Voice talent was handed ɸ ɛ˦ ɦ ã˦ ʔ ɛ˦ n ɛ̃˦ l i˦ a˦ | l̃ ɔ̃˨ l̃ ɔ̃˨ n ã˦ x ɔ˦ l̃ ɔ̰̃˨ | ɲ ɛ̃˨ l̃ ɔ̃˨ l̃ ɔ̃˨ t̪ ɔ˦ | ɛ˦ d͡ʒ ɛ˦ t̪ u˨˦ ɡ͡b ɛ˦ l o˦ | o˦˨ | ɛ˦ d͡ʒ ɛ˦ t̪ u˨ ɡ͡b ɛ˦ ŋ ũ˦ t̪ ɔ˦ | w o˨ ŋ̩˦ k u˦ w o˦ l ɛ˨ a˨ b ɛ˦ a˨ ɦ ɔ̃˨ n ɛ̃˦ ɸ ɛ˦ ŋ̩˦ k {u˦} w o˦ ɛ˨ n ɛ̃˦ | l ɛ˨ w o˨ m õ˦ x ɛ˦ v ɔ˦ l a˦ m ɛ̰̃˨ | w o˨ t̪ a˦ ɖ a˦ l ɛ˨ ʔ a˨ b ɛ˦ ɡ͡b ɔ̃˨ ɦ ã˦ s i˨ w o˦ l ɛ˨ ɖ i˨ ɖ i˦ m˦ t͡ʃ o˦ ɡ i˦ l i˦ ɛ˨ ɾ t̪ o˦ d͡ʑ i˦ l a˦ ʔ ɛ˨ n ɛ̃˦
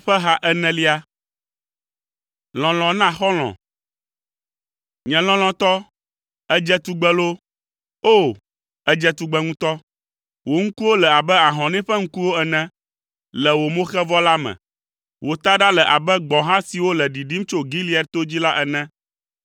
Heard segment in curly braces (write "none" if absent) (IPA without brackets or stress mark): u˦